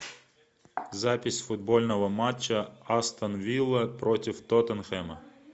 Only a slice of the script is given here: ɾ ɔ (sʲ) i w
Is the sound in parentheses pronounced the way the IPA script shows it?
no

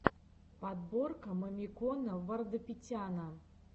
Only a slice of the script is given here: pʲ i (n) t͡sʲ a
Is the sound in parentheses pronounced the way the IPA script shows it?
no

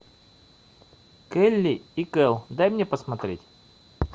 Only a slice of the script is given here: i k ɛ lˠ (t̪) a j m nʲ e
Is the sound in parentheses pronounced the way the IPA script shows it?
no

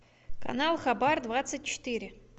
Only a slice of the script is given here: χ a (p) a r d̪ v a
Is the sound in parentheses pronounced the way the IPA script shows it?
no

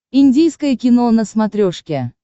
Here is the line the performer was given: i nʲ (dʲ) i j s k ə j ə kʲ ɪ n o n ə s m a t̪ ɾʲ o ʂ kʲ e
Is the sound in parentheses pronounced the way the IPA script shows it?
yes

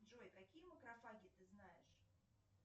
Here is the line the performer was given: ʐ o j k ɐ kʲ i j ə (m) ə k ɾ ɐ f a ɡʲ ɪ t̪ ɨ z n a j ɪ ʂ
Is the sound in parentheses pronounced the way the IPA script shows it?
yes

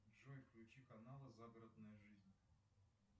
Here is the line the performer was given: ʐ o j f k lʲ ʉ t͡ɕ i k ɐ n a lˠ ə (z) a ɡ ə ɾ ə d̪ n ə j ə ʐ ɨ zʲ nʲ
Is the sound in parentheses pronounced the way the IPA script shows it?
yes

